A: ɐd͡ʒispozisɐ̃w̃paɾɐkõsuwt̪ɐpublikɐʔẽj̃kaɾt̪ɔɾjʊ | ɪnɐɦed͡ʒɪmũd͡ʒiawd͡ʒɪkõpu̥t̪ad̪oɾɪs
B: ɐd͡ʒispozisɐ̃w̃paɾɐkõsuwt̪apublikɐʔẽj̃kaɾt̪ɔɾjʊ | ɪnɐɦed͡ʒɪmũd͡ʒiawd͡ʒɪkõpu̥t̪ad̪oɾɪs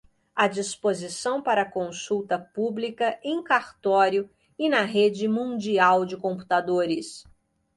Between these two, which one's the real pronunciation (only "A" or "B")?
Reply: A